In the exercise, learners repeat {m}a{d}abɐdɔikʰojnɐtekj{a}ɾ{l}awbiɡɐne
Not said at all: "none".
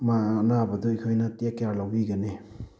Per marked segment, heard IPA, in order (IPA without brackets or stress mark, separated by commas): m, n, a, l